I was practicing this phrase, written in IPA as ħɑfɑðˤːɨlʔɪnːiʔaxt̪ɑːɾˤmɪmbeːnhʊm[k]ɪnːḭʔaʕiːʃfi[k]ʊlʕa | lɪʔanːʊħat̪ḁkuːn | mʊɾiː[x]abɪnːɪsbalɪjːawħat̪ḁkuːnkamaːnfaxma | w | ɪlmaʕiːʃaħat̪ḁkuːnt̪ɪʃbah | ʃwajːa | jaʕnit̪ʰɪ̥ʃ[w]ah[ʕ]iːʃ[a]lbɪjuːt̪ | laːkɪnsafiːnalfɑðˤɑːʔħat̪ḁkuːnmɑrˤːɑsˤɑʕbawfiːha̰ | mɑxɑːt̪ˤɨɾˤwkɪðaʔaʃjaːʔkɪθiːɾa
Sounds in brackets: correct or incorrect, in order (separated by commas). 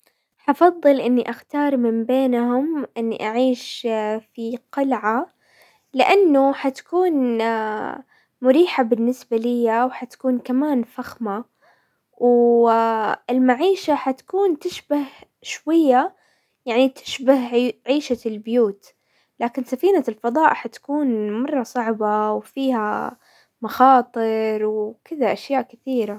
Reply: incorrect, incorrect, incorrect, incorrect, correct, correct